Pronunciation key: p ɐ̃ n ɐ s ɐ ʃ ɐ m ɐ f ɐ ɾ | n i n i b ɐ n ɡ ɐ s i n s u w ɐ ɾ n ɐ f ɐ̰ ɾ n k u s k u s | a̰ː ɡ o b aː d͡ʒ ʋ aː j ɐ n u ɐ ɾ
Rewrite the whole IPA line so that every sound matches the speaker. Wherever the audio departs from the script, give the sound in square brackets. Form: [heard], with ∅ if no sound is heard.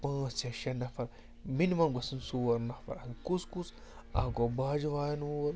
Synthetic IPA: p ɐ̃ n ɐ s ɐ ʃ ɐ [n] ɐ f ɐ ɾ | [m] i n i [m] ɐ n ɡ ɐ s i n s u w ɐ ɾ n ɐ f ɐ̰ ɾ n k u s k u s | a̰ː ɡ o b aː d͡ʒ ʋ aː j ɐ n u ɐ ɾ